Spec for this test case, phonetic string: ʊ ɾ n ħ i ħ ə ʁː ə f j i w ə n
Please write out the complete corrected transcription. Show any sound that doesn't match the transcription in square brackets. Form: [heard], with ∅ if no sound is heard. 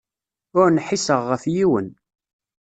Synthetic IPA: ʊ ɾ n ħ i [s] ə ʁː ə f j i w ə n